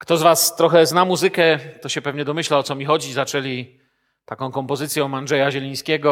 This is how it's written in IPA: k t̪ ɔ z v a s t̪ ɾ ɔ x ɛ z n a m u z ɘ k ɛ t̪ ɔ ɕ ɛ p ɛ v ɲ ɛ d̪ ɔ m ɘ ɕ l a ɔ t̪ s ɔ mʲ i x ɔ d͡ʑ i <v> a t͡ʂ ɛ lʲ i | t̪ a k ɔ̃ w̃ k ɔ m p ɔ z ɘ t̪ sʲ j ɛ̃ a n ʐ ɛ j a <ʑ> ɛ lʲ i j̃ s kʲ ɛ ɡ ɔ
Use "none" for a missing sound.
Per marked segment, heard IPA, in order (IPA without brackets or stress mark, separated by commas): z, ʑ